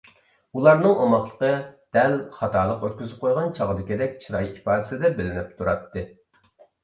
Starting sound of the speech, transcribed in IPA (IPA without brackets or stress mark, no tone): u